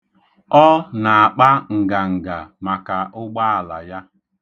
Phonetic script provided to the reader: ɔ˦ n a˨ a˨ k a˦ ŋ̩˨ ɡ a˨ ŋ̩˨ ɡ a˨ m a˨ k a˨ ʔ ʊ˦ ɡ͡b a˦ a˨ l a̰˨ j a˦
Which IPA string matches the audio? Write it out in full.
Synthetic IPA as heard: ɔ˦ n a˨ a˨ k͡p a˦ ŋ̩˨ ɡ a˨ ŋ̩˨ ɡ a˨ m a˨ k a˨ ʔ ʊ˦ ɡ͡b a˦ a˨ l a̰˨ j a˦